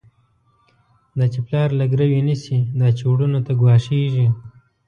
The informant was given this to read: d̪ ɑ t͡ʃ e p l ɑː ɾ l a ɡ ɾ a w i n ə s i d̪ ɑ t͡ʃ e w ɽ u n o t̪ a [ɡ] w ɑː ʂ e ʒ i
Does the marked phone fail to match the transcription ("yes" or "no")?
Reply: no